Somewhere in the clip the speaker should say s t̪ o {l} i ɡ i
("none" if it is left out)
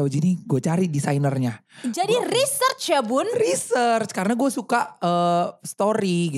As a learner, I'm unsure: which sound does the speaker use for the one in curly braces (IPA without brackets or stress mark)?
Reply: ɾ